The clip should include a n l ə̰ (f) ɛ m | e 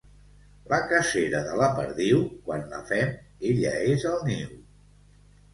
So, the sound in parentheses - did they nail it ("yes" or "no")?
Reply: yes